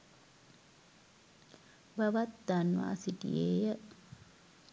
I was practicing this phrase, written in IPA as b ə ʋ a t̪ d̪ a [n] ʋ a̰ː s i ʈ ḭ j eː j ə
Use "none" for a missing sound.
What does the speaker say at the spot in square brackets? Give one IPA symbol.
n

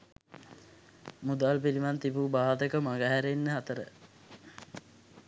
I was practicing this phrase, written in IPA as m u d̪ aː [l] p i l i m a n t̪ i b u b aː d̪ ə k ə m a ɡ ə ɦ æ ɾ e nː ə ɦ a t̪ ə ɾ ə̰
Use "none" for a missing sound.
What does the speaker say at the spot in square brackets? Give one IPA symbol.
l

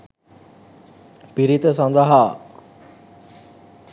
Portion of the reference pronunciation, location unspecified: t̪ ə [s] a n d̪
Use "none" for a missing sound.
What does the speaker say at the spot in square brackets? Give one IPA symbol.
s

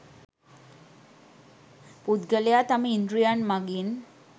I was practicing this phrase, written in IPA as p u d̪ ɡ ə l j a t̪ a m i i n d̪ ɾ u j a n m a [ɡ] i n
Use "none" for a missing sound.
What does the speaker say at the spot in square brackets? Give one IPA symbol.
ɡ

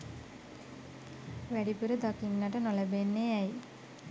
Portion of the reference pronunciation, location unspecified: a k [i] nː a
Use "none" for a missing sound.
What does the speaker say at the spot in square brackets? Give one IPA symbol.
i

